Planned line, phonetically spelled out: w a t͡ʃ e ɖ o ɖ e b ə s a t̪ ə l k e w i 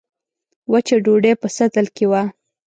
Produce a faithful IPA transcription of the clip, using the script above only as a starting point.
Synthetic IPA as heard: w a t͡ʃ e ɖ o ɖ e p ə s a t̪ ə l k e w a